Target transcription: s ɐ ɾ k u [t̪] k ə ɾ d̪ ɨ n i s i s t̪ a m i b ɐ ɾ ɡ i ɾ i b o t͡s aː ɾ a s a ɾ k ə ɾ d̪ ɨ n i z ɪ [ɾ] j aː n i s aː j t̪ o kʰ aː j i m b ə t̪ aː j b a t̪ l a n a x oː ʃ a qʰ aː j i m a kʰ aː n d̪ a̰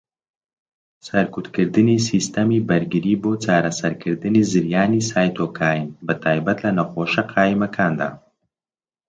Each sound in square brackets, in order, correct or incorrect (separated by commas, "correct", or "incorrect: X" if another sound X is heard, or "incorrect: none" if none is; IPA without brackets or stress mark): correct, correct